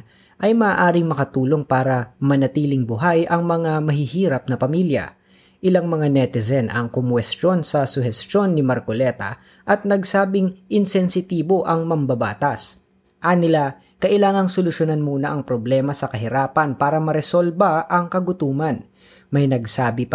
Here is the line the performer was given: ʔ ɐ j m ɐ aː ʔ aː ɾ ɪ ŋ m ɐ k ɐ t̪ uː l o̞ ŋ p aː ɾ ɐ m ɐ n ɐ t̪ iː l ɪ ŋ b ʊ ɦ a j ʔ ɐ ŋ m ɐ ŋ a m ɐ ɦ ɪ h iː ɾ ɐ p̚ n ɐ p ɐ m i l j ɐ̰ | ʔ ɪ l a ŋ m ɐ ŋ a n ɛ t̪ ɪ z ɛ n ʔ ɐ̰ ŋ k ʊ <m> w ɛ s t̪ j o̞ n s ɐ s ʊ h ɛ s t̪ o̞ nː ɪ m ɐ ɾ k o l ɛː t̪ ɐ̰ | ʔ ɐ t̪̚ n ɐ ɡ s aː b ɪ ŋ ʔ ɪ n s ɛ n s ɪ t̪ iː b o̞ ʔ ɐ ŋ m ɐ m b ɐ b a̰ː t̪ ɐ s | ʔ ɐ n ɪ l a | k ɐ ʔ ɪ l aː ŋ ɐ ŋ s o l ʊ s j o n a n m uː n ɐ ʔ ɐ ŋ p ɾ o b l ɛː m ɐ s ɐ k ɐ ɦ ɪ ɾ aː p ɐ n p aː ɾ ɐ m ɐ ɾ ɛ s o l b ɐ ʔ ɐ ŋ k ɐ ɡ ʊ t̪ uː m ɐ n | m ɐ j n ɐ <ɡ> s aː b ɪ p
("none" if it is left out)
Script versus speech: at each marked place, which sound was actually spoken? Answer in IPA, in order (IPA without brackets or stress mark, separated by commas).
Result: m, ɡ